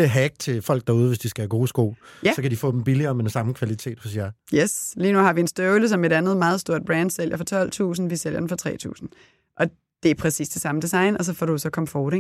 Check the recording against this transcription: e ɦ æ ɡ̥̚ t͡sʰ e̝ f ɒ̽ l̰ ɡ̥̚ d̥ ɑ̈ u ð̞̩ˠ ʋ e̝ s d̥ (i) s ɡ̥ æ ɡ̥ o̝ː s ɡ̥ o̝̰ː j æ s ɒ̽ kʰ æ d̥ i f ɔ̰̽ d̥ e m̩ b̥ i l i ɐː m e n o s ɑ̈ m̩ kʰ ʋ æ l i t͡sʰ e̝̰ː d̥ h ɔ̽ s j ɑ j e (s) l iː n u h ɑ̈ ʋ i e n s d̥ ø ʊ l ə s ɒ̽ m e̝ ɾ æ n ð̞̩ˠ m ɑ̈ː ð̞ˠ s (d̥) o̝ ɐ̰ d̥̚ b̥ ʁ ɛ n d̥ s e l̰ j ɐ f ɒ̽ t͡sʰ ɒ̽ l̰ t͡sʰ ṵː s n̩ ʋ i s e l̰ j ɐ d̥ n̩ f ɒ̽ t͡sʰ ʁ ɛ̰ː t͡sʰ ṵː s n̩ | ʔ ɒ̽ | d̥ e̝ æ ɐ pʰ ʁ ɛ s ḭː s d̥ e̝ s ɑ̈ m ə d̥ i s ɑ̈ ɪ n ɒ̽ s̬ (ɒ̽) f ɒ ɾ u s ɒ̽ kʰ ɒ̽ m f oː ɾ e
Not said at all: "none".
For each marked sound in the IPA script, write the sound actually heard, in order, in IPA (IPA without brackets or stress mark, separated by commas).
i, s, d̥, ɒ̽